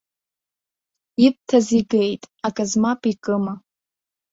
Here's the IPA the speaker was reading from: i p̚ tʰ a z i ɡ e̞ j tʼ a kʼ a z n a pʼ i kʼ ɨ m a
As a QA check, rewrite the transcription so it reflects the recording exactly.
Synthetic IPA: i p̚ tʰ a z i ɡ e̞ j tʼ a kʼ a z m a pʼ i kʼ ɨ m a